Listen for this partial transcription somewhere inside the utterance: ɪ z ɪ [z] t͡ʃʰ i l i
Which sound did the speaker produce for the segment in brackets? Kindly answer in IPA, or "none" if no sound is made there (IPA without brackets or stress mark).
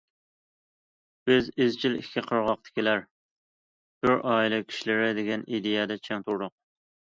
z